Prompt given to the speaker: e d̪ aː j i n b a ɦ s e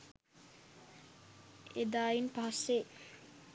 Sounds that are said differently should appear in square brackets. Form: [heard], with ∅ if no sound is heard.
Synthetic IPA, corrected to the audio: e d̪ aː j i n [p] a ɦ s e